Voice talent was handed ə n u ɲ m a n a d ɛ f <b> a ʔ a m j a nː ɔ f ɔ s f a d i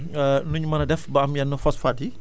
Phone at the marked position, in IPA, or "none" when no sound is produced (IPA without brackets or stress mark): b